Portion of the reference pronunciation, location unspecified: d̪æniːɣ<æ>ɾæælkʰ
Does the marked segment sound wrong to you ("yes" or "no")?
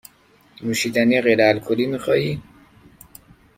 yes